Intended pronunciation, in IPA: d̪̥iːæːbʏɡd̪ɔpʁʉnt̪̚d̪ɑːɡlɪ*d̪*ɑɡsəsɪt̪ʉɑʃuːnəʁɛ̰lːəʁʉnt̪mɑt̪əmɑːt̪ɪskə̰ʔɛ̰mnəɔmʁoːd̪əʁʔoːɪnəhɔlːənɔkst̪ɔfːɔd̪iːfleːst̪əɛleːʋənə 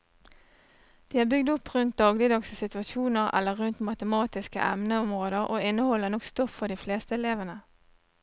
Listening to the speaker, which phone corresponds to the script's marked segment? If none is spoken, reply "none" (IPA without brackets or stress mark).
d̪